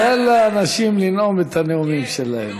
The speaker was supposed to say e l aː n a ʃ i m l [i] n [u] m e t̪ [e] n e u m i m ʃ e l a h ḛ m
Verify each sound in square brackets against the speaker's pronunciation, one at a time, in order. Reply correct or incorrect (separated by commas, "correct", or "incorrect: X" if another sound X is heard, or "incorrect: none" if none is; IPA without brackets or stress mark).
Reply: correct, incorrect: o, incorrect: a